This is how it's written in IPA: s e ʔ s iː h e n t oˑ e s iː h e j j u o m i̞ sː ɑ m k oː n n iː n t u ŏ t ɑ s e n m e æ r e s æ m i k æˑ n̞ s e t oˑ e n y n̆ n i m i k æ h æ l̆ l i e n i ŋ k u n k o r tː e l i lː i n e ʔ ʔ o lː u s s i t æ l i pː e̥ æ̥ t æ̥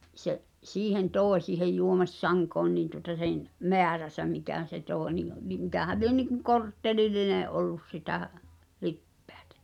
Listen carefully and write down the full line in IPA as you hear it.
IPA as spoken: s e ʔ s iː h e n t oˑ e s iː h e j j u o m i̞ sː ɑ ŋ k oː n n iː n t u ŏ t ɑ s e n m e æ r æ s æ m i k æˑ n̞ s e t oˑ e n i n̆ n i m i k æ h æ l̆ l i e n i ŋ k u ŋ k o r tː e l i lː i n e ʔ ʔ o lː u s s i t æ l i pː e̥ æ̥ t æ̥